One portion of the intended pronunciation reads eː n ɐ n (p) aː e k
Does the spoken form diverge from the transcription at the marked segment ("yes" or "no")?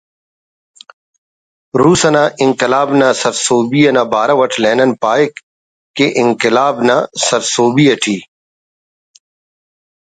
no